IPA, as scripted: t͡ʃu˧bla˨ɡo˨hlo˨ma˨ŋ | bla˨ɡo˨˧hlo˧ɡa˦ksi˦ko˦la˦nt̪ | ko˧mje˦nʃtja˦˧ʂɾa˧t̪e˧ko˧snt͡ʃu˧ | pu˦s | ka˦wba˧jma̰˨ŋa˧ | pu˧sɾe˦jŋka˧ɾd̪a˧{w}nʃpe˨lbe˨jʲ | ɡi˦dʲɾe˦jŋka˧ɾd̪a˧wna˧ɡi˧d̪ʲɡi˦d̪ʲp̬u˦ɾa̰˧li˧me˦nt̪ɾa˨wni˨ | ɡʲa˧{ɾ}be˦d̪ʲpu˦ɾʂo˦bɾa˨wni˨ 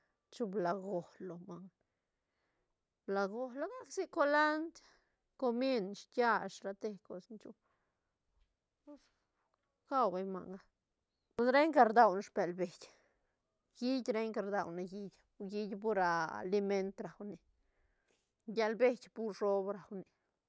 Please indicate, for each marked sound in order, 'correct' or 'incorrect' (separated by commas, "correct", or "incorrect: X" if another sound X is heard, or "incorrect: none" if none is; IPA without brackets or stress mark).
correct, incorrect: l